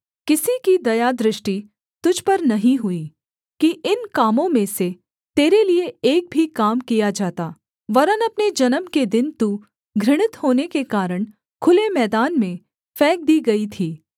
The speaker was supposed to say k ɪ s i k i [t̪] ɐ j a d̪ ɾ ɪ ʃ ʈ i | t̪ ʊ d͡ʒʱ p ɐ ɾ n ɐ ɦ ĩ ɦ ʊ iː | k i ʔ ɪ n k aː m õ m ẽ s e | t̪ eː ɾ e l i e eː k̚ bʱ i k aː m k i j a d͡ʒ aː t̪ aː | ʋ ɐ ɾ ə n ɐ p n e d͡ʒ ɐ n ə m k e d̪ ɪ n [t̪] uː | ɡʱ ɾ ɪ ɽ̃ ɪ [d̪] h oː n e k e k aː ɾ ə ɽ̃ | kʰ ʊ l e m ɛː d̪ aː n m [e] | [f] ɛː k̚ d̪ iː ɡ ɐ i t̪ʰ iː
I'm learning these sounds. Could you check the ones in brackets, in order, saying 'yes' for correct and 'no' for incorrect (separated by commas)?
no, yes, no, no, yes